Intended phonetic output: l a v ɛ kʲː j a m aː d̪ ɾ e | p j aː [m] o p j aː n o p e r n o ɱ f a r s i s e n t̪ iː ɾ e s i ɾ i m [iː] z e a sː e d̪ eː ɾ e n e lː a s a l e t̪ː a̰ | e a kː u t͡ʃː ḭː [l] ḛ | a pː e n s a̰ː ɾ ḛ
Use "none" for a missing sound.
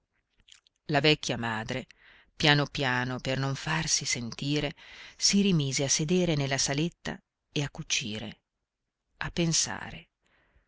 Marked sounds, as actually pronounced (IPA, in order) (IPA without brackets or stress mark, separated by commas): n, iː, ɾ